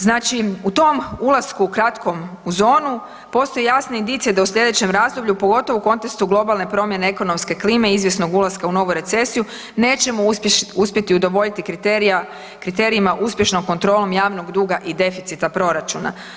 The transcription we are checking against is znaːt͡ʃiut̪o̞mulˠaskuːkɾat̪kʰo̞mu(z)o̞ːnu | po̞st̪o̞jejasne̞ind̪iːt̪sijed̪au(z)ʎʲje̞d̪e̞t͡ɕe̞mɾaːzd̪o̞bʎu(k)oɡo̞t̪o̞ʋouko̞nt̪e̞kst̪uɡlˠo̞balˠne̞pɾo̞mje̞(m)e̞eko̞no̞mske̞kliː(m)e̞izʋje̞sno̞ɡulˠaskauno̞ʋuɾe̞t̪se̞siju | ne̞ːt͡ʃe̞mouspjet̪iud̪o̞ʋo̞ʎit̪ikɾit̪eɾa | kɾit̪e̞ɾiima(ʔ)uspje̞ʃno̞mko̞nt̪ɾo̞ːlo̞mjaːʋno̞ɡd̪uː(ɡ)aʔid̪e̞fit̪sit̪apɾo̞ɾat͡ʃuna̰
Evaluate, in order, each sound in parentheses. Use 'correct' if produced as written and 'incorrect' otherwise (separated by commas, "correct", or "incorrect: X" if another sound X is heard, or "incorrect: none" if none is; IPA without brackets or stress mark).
correct, incorrect: s, incorrect: p, incorrect: n, correct, correct, correct